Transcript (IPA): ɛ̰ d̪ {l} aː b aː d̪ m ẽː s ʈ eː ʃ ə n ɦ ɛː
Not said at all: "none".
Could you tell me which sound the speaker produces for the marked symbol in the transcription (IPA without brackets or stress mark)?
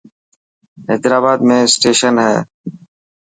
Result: ɾ